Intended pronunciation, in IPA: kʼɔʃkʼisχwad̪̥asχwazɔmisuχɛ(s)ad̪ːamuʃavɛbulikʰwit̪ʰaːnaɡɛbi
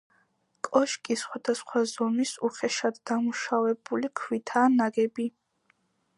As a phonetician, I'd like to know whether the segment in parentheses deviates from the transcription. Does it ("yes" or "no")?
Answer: yes